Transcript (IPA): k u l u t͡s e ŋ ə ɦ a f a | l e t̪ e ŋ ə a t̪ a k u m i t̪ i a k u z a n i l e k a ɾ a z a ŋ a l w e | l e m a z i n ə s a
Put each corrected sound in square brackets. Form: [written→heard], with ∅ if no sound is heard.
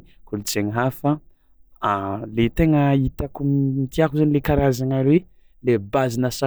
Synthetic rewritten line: k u l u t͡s e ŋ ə ɦ a f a | l e t̪ e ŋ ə [a→i] t̪ a k u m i t̪ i a k u z a n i l e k a ɾ a z a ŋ a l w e | l e [m→b] a z i n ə s a